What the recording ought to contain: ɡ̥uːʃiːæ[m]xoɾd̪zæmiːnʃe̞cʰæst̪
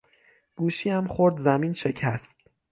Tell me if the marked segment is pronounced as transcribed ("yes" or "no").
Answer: yes